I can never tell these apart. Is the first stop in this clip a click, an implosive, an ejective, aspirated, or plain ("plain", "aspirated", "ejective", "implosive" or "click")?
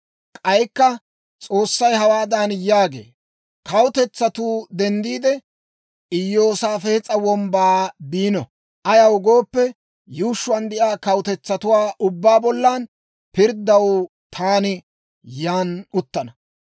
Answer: ejective